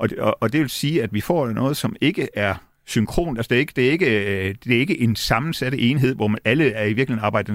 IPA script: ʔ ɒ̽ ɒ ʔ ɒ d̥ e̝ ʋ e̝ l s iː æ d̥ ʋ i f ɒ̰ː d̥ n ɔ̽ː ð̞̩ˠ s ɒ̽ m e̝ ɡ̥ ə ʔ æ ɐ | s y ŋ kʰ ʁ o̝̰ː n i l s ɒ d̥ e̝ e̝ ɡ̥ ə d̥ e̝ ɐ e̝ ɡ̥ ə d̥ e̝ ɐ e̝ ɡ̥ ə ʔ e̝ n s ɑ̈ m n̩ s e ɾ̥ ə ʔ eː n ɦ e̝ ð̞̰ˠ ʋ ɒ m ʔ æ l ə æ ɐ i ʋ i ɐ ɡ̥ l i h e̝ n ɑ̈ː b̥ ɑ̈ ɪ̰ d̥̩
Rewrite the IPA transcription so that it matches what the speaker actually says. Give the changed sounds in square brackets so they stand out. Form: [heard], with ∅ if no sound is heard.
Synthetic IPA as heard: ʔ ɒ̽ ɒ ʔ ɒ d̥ e̝ ʋ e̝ l s iː æ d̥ ʋ i f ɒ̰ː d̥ n ɔ̽ː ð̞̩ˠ s ɒ̽ m e̝ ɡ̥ ə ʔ æ ɐ | s y ŋ kʰ ʁ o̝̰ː n [æ] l s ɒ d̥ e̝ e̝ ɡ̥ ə d̥ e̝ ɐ e̝ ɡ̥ ə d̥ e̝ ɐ e̝ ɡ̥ ə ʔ e̝ n s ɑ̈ m n̩ s [æ] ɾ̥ ə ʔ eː n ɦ e̝ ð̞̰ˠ ʋ ɒ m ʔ æ l ə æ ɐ i ʋ i ɐ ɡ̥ l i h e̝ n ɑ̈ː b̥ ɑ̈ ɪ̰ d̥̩